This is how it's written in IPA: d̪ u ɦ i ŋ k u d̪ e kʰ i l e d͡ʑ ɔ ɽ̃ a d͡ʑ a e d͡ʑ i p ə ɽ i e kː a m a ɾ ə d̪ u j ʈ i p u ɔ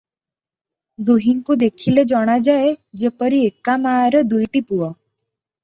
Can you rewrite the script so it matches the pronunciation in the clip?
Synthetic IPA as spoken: d̪ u ɦ i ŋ k u d̪ e kʰ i l e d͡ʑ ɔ ɽ̃ a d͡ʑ a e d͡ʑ e p ə ɾ i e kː a m a ɾ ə d̪ u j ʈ i p u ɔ